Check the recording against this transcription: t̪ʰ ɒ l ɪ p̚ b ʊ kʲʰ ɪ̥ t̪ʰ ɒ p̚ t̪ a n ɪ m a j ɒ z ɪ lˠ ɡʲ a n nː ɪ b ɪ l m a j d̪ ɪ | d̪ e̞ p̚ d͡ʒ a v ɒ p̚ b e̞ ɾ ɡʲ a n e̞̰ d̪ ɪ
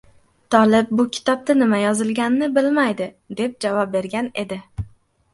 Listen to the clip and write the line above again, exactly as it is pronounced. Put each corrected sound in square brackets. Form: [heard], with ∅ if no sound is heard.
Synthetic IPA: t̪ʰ ɒ l ɪ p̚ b ʊ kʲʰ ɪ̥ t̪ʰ ɒ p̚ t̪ a n ɪ m a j ɒ z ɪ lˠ ɡʲ a n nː ɪ b ɪ l m a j d̪ ɪ | d̪ e̞ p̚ d͡ʒ a v ɒ p̚ b e̞ ɾ ɡʲ a n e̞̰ d̪ ɪ

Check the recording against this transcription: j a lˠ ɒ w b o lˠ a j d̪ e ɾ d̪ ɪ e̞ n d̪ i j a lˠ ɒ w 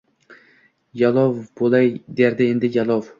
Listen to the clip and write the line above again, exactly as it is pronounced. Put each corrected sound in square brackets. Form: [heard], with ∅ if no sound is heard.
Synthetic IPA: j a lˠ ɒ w b o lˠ a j d̪ e ɾ d̪ ɪ e̞ n d̪ [ɪ] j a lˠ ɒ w

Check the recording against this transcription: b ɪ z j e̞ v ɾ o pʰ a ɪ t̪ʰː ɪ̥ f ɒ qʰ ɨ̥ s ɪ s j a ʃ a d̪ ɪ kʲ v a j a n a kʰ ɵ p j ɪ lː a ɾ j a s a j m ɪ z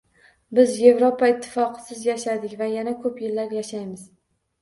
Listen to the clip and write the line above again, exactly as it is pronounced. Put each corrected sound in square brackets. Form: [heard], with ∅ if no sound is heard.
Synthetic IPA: b ɪ z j e̞ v ɾ o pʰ a ɪ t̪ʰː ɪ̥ f ɒ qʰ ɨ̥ s ɪ [z] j a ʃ a d̪ ɪ kʲ v a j a n a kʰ ɵ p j ɪ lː a ɾ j a [ʃ] a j m ɪ z

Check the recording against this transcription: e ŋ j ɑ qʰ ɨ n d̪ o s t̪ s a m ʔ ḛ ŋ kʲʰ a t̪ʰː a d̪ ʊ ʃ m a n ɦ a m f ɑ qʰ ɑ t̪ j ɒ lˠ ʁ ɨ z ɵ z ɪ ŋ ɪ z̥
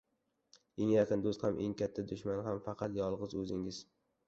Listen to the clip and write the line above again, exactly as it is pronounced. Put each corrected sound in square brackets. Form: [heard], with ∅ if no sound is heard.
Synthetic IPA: e ŋ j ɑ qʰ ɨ n d̪ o s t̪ [h] a m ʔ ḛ ŋ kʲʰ a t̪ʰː a d̪ ʊ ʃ m a n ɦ a m f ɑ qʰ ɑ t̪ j ɒ lˠ ʁ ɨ z ɵ z ɪ ŋ ɪ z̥

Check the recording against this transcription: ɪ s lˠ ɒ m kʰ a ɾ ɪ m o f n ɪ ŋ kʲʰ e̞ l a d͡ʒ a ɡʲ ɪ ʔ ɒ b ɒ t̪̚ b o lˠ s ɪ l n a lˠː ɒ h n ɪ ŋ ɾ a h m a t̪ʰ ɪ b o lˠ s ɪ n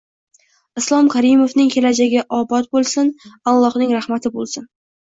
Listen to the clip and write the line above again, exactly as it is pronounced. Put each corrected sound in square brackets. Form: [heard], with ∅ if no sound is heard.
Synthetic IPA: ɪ s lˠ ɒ m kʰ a ɾ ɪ m o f n ɪ ŋ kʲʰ e̞ l a d͡ʒ a ɡʲ ɪ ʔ ɒ b ɒ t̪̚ b o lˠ s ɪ [∅] n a lˠː ɒ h n ɪ ŋ ɾ a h m a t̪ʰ ɪ b o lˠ s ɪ n

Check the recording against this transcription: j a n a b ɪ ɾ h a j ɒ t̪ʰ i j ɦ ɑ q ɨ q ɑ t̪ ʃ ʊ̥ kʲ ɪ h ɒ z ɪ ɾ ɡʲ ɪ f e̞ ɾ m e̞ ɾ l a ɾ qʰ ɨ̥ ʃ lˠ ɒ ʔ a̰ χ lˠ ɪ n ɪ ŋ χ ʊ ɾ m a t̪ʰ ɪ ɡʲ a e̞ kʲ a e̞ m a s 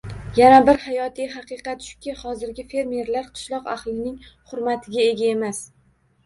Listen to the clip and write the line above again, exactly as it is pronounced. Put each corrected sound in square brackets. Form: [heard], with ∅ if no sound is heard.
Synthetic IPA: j a n a b ɪ ɾ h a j ɒ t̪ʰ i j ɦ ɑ q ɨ q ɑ t̪ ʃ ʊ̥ kʲ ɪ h ɒ z ɪ ɾ ɡʲ ɪ f e̞ ɾ m e̞ ɾ l a ɾ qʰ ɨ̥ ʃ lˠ ɒ [q] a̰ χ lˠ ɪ n ɪ ŋ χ ʊ ɾ m a t̪ʰ ɪ ɡʲ a e̞ [ɡʲ] a e̞ m a s

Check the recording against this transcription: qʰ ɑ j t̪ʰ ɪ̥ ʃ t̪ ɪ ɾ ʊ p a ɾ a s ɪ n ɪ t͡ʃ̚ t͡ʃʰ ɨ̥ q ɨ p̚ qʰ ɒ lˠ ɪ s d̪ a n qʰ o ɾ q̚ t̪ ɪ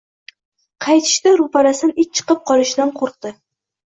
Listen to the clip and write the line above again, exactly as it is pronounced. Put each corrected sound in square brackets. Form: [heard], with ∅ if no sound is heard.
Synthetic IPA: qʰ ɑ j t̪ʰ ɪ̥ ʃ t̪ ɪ ɾ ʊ p a ɾ a s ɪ n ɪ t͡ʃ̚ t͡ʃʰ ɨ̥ q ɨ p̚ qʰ ɒ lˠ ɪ [ʃ] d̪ a n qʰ o ɾ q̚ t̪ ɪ

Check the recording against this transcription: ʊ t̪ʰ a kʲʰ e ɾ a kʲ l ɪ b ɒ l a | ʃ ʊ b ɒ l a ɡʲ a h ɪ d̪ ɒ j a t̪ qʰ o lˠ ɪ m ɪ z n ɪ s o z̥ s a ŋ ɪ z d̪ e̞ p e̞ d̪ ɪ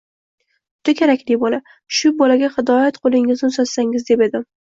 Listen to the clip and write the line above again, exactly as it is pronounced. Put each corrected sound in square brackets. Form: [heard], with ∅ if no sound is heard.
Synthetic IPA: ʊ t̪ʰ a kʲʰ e ɾ a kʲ l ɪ b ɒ l a | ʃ ʊ b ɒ l a ɡʲ a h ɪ d̪ ɒ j a t̪ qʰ o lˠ ɪ [ŋ] ɪ z n ɪ s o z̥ s a ŋ ɪ z d̪ e̞ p e̞ d̪ ɪ

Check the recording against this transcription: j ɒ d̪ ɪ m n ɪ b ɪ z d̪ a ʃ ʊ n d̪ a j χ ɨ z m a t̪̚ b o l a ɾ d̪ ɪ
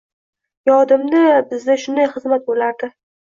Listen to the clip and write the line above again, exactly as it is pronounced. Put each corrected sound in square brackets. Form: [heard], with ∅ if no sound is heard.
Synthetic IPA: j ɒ d̪ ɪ m n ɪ b ɪ z d̪ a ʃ ʊ n d̪ a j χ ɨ z m a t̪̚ b o l a ɾ d̪ ɪ

